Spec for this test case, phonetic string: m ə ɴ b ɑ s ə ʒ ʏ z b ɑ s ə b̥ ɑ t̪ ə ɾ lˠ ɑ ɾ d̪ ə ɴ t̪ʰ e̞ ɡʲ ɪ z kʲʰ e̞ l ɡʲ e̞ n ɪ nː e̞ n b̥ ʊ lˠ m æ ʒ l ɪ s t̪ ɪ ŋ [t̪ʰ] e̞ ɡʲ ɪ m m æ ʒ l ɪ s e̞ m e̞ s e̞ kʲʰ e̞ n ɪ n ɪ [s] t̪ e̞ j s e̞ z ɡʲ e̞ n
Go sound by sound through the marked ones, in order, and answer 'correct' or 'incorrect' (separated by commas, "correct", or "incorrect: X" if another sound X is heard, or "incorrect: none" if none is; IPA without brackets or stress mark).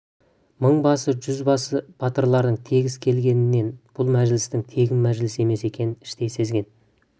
correct, incorrect: ʃ